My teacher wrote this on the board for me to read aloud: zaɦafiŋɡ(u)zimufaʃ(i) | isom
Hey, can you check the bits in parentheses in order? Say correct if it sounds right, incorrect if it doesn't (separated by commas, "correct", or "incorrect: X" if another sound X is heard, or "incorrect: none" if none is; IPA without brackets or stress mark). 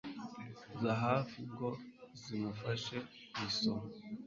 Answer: incorrect: o, incorrect: e